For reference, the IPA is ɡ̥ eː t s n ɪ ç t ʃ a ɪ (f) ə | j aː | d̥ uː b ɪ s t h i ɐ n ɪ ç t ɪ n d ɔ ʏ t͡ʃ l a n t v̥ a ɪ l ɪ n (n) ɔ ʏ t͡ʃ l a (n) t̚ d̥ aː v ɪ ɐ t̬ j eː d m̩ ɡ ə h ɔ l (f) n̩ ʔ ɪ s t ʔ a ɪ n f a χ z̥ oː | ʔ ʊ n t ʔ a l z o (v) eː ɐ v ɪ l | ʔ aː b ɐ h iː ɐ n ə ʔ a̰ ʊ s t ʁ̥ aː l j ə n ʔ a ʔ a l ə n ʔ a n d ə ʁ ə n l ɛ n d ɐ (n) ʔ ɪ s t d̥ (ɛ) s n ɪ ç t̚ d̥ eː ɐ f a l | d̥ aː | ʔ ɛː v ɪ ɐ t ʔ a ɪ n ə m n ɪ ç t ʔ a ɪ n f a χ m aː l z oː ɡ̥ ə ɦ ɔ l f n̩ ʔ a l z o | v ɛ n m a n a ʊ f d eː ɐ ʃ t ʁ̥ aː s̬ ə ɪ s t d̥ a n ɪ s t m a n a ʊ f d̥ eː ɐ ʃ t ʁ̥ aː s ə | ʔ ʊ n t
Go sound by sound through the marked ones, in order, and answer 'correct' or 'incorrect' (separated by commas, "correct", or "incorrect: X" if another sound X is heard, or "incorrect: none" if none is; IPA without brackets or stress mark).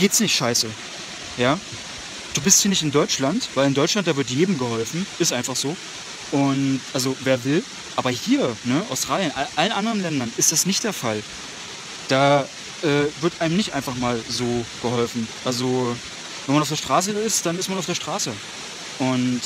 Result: incorrect: s, incorrect: d, correct, correct, correct, correct, incorrect: a